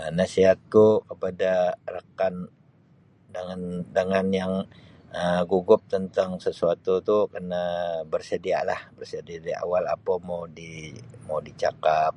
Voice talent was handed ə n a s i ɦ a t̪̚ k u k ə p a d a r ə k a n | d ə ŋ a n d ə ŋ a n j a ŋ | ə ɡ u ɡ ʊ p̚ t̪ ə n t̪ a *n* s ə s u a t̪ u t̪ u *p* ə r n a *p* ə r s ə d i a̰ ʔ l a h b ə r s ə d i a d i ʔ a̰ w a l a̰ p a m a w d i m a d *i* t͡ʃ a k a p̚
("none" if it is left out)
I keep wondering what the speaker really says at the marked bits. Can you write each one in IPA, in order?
ŋ, k, b, i

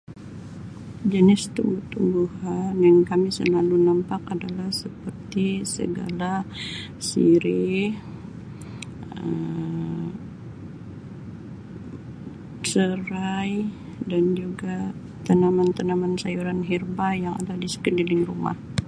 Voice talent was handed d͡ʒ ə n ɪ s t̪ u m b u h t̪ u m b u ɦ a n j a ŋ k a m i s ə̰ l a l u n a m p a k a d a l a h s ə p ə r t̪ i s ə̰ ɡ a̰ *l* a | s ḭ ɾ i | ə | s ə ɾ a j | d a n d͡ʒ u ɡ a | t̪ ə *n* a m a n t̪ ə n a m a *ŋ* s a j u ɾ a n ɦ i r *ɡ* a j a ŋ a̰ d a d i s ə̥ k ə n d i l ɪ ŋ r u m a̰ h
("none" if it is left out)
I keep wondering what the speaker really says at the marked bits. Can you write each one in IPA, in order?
l, n, n, b

